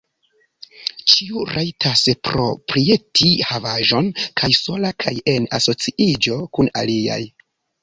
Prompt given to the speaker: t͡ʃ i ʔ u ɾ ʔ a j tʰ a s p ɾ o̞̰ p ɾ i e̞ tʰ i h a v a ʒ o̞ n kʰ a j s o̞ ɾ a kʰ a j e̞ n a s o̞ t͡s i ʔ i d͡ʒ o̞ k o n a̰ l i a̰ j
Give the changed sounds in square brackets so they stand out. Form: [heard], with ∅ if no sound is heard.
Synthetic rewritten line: t͡ʃ i [∅] u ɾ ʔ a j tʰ a s p ɾ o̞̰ p ɾ i e̞ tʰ i h a v a ʒ o̞ n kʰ a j s o̞ [l] a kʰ a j e̞ n a s o̞ t͡s i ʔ i d͡ʒ o̞ k [u] n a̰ l i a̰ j